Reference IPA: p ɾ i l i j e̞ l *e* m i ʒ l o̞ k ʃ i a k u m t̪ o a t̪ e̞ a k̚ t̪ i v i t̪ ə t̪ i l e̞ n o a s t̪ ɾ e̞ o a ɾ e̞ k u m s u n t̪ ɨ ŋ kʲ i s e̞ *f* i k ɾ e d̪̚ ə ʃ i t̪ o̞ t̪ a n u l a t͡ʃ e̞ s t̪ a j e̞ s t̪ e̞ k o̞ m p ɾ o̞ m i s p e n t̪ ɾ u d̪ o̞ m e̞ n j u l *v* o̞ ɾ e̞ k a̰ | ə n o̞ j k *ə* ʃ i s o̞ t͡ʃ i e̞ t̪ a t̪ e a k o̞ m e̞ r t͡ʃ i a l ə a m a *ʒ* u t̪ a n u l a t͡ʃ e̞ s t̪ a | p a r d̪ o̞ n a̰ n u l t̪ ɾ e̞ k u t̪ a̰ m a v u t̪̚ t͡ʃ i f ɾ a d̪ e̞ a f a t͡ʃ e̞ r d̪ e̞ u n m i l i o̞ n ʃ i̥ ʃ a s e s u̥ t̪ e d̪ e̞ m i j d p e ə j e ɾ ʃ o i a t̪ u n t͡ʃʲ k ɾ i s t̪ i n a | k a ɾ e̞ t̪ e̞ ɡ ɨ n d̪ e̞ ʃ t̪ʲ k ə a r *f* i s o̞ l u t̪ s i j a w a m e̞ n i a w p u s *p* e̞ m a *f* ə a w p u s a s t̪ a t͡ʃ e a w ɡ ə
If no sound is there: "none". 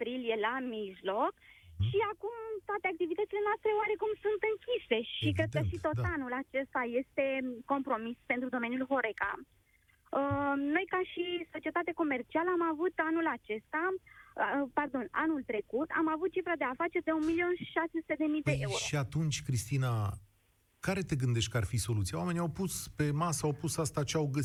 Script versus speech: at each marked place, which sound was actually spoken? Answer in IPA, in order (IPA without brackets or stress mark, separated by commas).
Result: a, ʃ, v, a, v, f, p, s